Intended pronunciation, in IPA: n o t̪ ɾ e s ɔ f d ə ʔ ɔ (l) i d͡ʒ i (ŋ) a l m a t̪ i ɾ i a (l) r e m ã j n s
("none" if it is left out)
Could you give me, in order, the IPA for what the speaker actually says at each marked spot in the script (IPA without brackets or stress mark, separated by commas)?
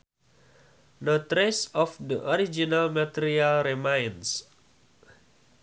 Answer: ɾ, n, l